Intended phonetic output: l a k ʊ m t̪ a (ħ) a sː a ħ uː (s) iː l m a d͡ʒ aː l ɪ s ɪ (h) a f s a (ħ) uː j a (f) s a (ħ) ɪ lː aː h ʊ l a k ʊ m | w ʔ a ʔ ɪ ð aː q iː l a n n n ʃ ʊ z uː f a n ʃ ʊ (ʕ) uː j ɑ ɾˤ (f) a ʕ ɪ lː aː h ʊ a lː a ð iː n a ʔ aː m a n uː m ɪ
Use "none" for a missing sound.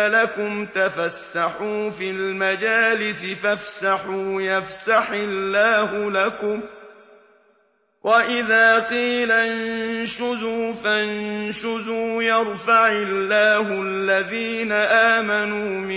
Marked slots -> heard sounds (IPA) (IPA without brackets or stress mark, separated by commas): f, f, f, ħ, f, ħ, z, f